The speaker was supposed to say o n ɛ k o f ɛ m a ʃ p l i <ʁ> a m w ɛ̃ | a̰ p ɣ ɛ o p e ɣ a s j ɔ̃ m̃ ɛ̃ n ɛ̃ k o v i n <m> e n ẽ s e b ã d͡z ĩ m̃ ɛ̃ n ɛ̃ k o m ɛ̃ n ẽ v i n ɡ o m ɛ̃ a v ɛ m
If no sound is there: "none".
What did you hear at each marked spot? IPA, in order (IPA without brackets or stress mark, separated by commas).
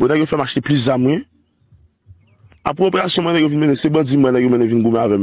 z, m